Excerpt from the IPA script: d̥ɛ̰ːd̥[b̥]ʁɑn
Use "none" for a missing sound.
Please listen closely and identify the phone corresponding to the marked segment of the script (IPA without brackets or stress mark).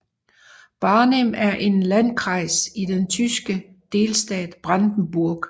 b̥